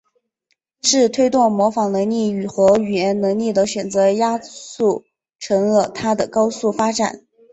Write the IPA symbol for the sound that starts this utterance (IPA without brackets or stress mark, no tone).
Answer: ʂ